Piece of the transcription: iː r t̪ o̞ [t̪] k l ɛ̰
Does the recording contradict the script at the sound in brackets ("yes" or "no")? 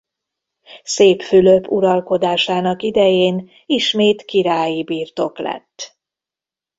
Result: yes